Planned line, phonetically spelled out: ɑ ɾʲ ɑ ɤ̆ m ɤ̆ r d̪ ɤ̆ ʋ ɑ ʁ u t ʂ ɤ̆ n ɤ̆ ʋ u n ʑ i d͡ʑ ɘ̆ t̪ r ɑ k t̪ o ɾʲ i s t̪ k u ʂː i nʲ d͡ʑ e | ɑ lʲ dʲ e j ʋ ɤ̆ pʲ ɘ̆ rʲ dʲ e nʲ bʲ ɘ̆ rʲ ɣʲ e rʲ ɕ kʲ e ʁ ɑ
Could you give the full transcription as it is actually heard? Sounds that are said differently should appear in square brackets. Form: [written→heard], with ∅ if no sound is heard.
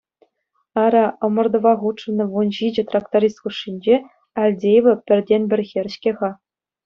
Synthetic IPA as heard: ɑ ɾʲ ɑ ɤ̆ m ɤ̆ r d̪ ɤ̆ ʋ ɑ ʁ u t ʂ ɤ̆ n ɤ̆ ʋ u n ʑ i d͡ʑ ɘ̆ t̪ r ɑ k t̪ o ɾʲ i s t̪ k u ʂː i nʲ d͡ʑ e | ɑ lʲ dʲ e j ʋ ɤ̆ pʲ ɘ̆ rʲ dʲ e nʲ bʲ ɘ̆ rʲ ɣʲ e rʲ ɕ kʲ e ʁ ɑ